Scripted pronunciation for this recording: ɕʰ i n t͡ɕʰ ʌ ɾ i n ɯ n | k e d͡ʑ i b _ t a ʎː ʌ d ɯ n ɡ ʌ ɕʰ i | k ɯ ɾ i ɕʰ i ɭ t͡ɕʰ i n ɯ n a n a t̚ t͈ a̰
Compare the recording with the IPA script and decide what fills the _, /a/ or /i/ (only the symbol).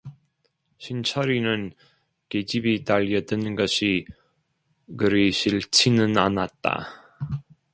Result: i